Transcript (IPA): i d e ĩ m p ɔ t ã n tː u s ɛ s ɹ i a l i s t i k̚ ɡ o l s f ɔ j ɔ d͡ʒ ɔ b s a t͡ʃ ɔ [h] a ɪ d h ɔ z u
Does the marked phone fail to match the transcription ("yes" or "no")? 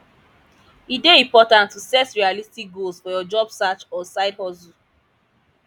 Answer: yes